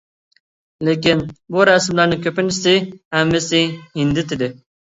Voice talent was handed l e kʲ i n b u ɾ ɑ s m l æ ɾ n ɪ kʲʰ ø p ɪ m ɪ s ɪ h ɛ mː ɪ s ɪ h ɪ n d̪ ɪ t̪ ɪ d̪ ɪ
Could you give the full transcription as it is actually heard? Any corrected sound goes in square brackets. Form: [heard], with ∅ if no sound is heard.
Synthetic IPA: l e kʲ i n b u ɾ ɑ s m l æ ɾ n ɪ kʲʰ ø p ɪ [n] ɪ s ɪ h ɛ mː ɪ s ɪ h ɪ n d̪ ɪ t̪ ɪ d̪ ɪ